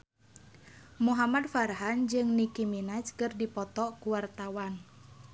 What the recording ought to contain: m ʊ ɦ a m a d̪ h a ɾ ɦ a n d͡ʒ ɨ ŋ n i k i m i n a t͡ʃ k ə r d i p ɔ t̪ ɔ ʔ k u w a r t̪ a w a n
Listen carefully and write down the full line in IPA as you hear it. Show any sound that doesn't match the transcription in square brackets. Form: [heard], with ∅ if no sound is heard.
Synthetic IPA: m [u] ɦ a m a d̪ [f] a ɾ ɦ a n d͡ʒ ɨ ŋ n i k i m i n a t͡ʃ k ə r d i p ɔ t̪ ɔ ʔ k u w a r t̪ a w a n